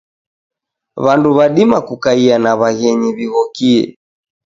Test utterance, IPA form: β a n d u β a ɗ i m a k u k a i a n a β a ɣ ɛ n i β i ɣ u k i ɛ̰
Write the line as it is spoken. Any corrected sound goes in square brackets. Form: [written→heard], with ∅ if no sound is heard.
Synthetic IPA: β a n d u β a ɗ i m a k u k a i a n a β a ɣ ɛ [n→ɲ] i β i ɣ [u→ɔ] k i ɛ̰